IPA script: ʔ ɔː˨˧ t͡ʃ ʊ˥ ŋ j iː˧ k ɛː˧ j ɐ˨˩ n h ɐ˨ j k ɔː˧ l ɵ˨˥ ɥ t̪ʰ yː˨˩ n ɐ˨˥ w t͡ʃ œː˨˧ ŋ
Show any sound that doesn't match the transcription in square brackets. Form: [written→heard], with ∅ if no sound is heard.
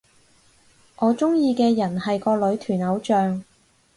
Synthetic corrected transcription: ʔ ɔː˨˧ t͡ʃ ʊ˥ ŋ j iː˧ k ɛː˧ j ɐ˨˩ n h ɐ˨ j k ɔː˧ l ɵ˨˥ ɥ t̪ʰ yː˨˩ n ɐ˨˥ w t͡ʃ œː˨˧ ŋ